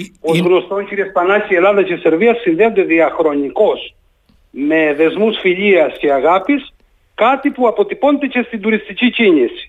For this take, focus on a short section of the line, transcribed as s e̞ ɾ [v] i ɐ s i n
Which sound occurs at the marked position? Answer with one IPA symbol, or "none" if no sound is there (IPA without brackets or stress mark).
v